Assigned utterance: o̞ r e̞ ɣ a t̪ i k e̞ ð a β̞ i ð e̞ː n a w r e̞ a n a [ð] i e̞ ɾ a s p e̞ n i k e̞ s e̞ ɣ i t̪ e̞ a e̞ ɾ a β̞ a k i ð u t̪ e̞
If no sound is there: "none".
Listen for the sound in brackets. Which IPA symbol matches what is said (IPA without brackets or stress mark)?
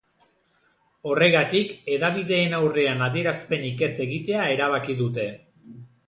ð